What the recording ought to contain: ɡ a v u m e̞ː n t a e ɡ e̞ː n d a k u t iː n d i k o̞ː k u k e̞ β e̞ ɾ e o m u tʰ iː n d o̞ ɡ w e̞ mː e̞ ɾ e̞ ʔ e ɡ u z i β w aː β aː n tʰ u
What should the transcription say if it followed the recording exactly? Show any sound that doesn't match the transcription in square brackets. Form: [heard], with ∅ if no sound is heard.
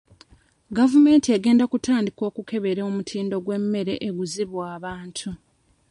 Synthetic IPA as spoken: ɡ a v u m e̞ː n t [i] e ɡ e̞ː n d a k u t [aː] n d i k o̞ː k u k e̞ β e̞ ɾ e o m u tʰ iː n d o̞ ɡ w e̞ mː e̞ ɾ e̞ ʔ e ɡ u z i β w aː β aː n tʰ u